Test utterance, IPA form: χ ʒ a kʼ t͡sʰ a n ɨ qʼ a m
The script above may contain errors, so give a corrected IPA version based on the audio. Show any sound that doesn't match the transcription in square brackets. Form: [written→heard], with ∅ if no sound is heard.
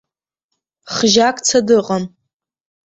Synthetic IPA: χ ʒ a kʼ t͡sʰ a [n→d] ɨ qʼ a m